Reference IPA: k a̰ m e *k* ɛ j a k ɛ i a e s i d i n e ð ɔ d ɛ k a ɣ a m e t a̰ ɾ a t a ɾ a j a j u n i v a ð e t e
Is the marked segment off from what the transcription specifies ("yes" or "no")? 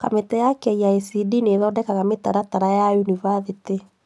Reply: yes